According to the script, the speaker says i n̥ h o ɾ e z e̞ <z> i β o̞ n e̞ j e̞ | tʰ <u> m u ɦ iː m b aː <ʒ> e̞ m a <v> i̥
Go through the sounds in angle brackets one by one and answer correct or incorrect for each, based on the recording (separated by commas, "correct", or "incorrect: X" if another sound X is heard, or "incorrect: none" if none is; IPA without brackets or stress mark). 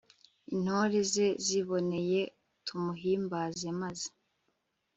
correct, correct, incorrect: z, incorrect: z